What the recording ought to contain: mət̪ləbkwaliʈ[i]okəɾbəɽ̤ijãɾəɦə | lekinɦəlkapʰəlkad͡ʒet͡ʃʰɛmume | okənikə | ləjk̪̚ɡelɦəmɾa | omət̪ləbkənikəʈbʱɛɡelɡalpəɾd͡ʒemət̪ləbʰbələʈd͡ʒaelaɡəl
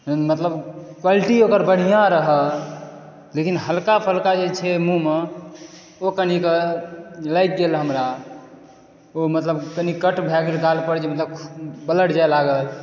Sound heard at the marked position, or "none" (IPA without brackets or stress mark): i